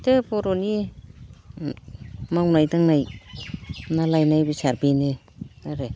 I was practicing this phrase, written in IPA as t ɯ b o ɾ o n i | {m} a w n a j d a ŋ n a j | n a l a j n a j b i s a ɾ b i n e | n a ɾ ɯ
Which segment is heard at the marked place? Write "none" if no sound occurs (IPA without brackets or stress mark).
m